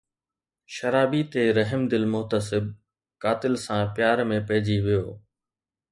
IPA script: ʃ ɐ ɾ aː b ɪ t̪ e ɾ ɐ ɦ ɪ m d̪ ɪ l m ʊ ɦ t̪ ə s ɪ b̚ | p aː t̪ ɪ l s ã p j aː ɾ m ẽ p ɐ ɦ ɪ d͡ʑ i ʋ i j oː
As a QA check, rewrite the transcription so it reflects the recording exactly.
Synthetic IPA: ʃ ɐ ɾ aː b i t̪ e ɾ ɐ ɦ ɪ m d̪ ɪ l m ʊ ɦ t̪ ə s ɪ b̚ | k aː t̪ ɪ l s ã p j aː ɾ m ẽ p ɐ ɦ ɪ d͡ʑ i ʋ i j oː